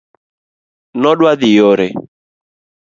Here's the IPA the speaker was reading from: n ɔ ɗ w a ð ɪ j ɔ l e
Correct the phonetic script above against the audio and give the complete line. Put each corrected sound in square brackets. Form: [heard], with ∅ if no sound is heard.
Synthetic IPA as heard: n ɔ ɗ w a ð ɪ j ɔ [ɾ] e